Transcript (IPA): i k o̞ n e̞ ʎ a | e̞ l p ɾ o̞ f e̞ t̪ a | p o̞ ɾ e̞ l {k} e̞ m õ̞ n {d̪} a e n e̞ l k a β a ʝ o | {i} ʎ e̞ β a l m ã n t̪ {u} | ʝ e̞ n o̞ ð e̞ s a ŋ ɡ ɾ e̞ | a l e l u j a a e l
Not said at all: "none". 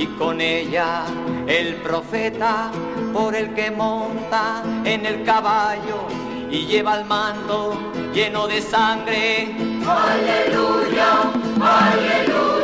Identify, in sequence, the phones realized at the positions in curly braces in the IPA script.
k, t̪, i, o

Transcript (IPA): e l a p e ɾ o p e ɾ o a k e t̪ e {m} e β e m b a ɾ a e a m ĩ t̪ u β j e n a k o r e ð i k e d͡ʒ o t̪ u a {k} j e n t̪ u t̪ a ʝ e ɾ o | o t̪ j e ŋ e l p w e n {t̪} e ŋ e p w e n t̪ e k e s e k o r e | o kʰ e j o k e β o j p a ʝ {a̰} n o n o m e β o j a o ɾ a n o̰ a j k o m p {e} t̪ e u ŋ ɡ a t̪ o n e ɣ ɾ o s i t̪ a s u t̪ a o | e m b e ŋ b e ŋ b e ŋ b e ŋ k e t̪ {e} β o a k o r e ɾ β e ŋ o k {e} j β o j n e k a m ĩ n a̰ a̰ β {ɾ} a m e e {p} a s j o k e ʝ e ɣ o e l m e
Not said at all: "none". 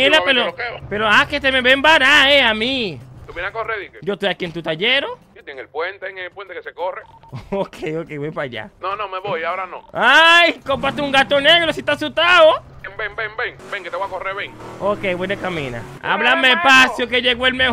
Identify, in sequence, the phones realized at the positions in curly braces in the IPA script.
m, k, t̪, a̰, a, e, e, l, p

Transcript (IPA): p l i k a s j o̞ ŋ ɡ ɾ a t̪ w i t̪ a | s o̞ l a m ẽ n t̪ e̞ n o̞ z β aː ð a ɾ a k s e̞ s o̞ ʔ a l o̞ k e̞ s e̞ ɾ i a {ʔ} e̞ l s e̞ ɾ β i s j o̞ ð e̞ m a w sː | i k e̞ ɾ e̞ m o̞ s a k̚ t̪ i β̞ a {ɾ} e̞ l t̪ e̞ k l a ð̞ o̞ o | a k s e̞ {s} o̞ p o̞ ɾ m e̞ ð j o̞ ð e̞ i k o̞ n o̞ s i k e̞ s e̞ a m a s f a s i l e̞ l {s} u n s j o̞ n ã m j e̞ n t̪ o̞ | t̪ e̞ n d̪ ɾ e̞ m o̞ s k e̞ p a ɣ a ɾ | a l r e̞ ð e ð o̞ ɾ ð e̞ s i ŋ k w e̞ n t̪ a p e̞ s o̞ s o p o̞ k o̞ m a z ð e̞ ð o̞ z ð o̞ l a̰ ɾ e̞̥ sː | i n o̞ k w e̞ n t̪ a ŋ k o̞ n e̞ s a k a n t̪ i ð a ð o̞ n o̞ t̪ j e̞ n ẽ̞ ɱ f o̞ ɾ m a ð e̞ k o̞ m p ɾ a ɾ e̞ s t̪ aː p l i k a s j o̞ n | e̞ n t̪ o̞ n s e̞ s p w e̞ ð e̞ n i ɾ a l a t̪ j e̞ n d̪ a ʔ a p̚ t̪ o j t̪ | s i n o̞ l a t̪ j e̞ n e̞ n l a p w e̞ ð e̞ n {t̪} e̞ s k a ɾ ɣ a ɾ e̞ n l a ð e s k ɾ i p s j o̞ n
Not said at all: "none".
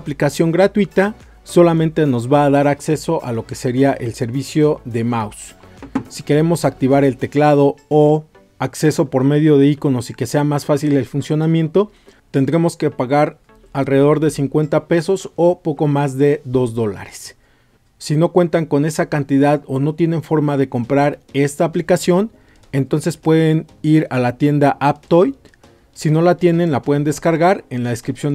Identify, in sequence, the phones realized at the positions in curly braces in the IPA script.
ʔ, ɾ, s, f, d̪

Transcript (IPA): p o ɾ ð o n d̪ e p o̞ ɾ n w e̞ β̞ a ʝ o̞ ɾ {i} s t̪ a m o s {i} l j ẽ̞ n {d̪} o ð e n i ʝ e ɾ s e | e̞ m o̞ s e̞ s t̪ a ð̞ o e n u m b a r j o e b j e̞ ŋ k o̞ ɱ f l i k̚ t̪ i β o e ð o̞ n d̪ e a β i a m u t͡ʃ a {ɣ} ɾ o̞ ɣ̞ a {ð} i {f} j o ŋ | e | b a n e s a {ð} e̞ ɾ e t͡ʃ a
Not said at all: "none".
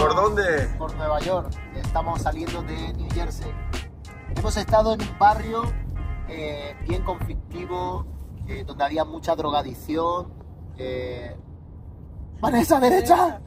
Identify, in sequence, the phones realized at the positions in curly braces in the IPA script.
e, a, d̪, ð, ð, θ, ð

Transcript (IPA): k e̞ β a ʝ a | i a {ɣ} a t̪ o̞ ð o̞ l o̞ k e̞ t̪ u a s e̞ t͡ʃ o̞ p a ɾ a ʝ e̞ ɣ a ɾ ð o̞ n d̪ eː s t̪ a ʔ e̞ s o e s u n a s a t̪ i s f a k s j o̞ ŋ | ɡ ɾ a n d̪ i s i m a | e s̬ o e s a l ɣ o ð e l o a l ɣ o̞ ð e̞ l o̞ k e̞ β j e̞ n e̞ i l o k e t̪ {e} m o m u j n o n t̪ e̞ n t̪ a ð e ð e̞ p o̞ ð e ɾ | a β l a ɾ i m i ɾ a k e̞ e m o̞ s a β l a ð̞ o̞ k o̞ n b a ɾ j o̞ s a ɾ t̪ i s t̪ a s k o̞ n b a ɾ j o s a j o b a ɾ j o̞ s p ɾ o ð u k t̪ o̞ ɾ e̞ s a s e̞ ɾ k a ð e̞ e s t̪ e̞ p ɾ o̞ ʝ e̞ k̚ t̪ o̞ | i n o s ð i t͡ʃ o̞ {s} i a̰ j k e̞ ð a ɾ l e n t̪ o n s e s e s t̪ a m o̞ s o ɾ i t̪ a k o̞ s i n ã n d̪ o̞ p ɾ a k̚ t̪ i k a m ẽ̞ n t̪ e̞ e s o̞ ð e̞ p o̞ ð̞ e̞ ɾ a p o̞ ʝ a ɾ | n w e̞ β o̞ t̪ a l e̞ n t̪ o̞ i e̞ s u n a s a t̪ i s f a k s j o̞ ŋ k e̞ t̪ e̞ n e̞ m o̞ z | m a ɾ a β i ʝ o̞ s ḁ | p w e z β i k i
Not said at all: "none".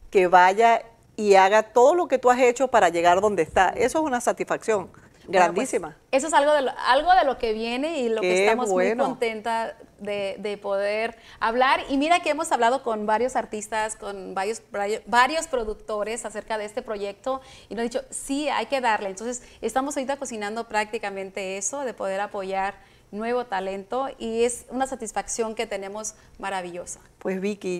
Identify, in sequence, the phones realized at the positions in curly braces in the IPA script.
ɣ, a, s

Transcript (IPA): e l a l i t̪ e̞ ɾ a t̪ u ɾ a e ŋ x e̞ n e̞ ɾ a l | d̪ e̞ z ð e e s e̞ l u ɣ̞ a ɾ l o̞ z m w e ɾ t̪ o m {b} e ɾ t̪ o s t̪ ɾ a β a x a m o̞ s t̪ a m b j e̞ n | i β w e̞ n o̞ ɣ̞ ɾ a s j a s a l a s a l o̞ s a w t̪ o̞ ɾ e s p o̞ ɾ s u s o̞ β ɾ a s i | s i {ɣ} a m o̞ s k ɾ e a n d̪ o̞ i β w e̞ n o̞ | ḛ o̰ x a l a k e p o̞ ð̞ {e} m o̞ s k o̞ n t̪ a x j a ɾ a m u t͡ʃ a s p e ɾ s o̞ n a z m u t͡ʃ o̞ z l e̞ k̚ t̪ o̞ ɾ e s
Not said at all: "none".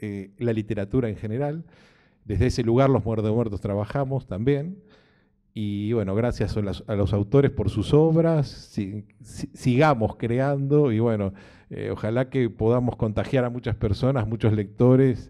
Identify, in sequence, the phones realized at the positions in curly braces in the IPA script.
w, ɣ, a

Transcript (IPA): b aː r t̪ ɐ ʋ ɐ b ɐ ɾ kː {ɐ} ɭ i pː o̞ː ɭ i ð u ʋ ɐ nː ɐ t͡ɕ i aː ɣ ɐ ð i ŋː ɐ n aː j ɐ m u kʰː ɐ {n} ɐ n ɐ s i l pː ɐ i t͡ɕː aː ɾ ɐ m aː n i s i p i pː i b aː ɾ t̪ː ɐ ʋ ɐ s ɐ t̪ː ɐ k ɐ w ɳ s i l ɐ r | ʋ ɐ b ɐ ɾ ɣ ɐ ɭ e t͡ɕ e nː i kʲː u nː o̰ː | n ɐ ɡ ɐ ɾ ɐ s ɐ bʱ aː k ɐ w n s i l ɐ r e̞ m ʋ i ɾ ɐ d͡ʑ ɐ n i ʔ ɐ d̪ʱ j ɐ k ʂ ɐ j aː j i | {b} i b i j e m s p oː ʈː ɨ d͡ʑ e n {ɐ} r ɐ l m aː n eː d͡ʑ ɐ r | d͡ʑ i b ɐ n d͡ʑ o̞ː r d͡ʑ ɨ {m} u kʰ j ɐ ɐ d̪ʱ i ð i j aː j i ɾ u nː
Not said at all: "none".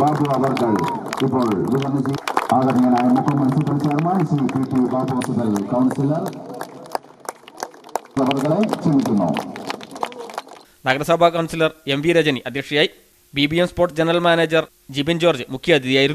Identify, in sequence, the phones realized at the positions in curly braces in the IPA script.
ɐ, m, b, ɐ, m

